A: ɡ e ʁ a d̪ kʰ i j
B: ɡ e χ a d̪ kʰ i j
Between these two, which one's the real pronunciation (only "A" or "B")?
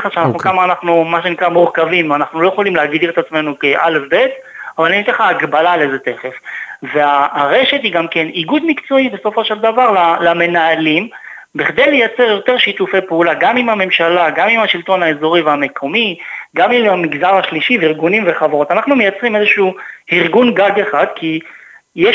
B